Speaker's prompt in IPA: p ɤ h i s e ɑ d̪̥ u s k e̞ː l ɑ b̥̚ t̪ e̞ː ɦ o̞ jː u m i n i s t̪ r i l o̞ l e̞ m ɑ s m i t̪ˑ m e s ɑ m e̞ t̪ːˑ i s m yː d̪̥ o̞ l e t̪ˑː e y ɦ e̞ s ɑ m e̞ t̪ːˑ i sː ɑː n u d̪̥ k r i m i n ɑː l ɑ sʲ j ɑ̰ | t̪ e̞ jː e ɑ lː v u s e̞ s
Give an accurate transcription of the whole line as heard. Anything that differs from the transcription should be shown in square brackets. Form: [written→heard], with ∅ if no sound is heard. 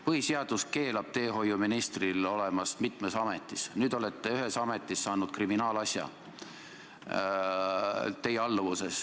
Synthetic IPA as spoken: p ɤ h i s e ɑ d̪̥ u s k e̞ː l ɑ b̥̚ t̪ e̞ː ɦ o̞ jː u m i n i s t̪ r i l o̞ l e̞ m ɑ s m i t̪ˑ m e s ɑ m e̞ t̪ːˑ i s [m→n] yː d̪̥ o̞ l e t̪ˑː e y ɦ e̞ s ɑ m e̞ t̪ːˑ i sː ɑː n u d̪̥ k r i m i n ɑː l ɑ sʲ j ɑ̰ | t̪ e̞ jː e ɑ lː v u s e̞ s

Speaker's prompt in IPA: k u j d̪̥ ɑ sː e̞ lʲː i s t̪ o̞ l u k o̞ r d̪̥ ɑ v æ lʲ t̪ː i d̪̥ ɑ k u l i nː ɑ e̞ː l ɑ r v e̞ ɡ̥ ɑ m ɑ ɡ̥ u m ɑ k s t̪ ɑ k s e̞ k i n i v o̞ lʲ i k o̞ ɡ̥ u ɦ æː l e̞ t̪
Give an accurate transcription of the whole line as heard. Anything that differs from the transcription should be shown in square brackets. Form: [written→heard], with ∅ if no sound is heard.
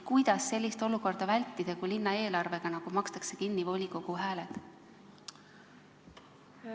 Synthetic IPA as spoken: k u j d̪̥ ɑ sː e̞ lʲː i s t̪ o̞ l u k o̞ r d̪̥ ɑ v æ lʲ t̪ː i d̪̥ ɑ k u l i nː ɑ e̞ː l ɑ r v e̞ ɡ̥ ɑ [m→n] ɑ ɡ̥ u m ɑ k s t̪ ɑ k s e̞ k i [n→nː] i v o̞ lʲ i k o̞ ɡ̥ u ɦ æː l e̞ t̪

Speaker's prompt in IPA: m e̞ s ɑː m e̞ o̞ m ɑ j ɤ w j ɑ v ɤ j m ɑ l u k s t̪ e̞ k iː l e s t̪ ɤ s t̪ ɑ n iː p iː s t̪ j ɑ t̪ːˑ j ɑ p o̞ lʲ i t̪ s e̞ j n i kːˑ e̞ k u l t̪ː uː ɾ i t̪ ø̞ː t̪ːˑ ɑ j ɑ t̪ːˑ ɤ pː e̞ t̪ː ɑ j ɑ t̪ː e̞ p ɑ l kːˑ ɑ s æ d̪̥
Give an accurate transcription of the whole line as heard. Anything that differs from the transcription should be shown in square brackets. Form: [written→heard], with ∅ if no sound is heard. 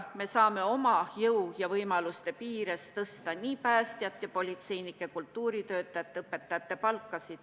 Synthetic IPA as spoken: m e̞ s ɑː m e̞ o̞ m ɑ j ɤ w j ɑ v ɤ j m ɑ l u [k→∅] s t̪ e̞ [k→p] iː [l→ɾ] e s t̪ ɤ s t̪ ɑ n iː p [iː→æː] s t̪ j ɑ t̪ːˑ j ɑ p o̞ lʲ i t̪ s e̞ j n i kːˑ e̞ k u l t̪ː uː ɾ i t̪ ø̞ː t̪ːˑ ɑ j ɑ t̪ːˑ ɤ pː e̞ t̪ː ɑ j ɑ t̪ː e̞ p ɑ l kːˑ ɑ s [æ→i] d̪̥

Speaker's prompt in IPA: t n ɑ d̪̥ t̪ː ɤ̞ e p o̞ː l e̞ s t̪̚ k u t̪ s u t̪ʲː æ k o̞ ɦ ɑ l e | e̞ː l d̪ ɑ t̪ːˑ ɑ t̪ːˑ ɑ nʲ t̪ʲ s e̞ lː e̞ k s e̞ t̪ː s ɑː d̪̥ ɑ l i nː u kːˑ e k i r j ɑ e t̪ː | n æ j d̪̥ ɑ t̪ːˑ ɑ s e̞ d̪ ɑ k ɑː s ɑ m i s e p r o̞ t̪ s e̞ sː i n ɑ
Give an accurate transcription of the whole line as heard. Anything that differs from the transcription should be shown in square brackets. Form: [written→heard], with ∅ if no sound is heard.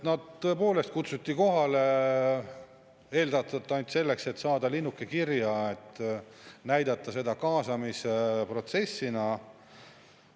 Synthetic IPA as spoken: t n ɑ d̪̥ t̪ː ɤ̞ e p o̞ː l e̞ s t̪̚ k u t̪ s u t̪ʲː [æ→i] k o̞ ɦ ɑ l e | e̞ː l d̪ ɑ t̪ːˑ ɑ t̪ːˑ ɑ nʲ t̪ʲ s e̞ lː e̞ k s e̞ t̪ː s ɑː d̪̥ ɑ l i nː u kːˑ e k i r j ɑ e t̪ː | n æ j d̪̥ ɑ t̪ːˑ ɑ s e̞ d̪ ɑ k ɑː s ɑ m i s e p r o̞ t̪ s e̞ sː i n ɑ

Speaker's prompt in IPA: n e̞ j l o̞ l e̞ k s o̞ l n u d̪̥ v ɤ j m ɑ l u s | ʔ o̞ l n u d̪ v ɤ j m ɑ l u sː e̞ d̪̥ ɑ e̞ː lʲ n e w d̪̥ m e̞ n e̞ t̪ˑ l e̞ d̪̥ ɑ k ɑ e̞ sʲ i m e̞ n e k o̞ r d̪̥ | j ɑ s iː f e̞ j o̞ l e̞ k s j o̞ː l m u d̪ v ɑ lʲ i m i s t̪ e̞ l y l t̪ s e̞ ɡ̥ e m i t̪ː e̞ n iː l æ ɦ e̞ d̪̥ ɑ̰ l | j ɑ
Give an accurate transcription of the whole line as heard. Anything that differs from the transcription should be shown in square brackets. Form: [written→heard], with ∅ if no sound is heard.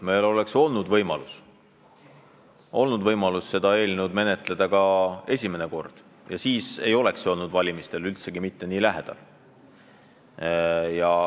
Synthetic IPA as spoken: [n→m] e̞ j l o̞ l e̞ k s o̞ l n u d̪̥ v ɤ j m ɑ l u s | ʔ o̞ l n u d̪ v ɤ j m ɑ l u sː e̞ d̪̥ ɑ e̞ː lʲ n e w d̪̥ m e̞ n e̞ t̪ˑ l e̞ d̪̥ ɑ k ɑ e̞ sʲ i m e̞ n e k o̞ r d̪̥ | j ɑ s iː [f→s] e̞ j o̞ l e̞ k s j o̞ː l [m→n] u d̪ v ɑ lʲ i m i s t̪ e̞ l y l t̪ s e̞ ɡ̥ [e→i] m i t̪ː e̞ n iː l æ ɦ e̞ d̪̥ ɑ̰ l | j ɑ

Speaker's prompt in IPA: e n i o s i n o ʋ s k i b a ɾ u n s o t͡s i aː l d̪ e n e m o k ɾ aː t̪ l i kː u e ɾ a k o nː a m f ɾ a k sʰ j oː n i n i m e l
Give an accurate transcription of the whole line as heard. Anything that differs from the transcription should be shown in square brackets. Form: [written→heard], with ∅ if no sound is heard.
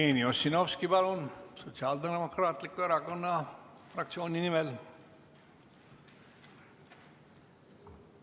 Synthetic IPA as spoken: e n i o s i n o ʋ s k i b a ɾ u n s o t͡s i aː l d̪ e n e m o k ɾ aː t̪ l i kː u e ɾ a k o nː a [m→∅] f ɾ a k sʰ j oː n i n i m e l

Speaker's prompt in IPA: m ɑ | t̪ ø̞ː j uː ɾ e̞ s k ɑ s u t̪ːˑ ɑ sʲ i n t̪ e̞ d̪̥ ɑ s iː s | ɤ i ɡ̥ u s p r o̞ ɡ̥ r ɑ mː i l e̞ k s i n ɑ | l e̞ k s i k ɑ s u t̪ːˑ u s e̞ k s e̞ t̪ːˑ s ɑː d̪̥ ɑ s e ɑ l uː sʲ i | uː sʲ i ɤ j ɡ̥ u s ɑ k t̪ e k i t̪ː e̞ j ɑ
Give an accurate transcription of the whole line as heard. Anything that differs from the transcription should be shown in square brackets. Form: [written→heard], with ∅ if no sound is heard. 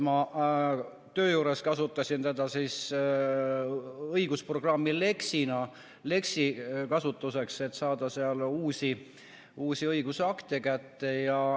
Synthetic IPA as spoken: m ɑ | t̪ ø̞ː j uː ɾ e̞ s k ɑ s u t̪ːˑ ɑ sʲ i n t̪ e̞ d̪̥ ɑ s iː s | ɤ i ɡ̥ u s p r o̞ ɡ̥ r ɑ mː i l e̞ k s i n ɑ | l e̞ k s i k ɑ s u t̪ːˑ u s e̞ k s e̞ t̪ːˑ s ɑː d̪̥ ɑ s e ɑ l uː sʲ i | uː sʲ i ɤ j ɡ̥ u s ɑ k t̪ e k [i→æ] t̪ː e̞ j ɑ

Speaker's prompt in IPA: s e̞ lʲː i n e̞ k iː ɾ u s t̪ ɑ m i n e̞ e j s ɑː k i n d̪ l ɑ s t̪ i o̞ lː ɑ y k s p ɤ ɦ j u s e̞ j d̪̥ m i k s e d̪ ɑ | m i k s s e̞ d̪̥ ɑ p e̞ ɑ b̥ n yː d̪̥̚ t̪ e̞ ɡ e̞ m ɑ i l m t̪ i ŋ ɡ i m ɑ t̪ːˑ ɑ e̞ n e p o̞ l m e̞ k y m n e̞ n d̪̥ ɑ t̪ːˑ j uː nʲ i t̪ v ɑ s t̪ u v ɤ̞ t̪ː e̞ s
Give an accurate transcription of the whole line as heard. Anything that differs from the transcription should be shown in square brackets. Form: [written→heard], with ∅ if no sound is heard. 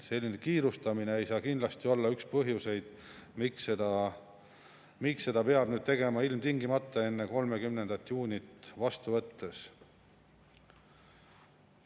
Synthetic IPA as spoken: s e̞ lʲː i n e̞ k iː ɾ u s t̪ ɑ m i n e̞ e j s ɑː k i n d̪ l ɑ s t̪ i o̞ lː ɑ y k s p ɤ ɦ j u s e̞ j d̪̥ m i k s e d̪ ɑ | m i k s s e̞ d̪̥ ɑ p e̞ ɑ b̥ n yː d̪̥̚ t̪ e̞ ɡ e̞ m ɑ i l m t̪ i ŋ ɡ i m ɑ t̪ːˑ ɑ e̞ [n→nː] e [p→k] o̞ l m e̞ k y m n e̞ n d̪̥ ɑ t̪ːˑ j uː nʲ i t̪ v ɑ s t̪ u v ɤ̞ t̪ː e̞ s

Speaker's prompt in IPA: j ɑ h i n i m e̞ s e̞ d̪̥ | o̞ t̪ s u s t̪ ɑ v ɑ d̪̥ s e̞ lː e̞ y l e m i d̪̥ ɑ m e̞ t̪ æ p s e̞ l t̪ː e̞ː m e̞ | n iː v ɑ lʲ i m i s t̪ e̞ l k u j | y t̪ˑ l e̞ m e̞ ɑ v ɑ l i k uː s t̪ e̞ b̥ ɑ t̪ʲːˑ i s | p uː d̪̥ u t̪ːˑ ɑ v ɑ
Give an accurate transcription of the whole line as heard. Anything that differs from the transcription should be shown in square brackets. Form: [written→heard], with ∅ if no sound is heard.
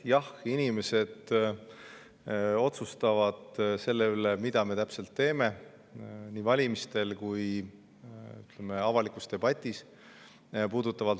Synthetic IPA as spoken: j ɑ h i n i m e̞ s e̞ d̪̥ | o̞ t̪ s u s t̪ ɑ v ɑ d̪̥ s e̞ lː e̞ y l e m i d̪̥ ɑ m e̞ t̪ æ p s e̞ l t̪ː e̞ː m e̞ | n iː v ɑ lʲ i m i s t̪ e̞ l k u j | y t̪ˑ l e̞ m e̞ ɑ v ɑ l i k [uː→u] s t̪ e̞ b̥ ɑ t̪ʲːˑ i s | p uː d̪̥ u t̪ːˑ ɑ v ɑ

